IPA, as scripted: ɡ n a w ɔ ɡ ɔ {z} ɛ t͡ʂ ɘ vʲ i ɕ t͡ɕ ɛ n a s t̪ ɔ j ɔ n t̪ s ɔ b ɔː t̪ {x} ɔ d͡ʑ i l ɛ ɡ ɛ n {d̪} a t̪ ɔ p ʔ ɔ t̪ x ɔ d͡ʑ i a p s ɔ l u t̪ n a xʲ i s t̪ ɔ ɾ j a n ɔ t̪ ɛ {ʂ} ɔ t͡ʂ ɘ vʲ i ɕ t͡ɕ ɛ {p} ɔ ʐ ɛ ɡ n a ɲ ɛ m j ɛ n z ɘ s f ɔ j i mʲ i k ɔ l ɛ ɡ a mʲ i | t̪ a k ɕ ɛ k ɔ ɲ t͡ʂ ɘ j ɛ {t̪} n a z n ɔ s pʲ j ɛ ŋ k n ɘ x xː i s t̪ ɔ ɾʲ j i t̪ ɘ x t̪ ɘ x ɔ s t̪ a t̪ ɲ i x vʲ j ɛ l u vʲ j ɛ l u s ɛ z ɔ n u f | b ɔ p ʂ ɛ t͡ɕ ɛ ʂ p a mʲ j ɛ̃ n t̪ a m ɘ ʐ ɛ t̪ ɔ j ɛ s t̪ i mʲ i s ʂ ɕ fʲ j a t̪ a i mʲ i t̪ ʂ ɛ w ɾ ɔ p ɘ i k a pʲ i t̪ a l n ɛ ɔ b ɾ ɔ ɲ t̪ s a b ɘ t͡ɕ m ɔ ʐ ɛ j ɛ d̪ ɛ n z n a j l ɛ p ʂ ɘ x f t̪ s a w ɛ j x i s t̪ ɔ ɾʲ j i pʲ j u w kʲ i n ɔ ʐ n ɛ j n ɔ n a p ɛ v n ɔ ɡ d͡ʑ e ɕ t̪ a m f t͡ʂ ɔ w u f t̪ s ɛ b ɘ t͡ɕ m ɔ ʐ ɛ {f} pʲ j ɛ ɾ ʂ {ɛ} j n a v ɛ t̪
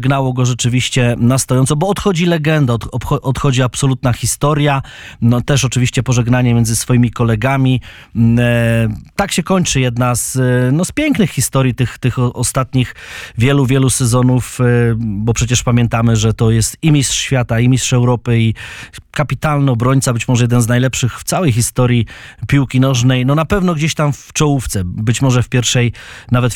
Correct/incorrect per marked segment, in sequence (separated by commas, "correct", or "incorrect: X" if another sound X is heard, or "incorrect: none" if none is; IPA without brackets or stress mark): incorrect: ʐ, correct, correct, correct, correct, incorrect: d̪, correct, correct